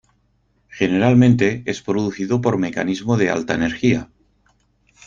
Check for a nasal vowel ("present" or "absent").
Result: present